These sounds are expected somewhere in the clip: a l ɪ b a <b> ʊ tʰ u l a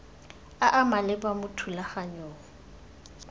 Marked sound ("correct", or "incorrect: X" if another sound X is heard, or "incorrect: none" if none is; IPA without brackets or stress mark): incorrect: m